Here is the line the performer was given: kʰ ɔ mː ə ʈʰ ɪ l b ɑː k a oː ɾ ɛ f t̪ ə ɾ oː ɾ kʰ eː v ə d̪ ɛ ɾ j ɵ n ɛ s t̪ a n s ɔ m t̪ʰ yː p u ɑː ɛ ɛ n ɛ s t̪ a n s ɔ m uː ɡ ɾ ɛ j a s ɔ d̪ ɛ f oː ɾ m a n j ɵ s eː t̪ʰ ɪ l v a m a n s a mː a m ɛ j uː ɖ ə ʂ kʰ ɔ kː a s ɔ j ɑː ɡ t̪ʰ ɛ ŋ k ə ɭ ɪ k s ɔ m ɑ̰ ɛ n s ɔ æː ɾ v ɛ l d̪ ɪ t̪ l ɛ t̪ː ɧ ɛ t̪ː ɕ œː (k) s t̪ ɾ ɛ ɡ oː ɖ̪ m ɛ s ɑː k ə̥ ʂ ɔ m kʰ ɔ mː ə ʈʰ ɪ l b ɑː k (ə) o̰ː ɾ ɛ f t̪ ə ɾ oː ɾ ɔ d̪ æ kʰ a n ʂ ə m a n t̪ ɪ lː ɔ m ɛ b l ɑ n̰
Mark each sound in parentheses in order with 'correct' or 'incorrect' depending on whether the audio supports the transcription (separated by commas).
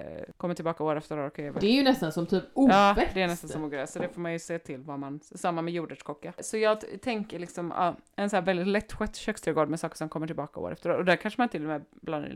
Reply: correct, incorrect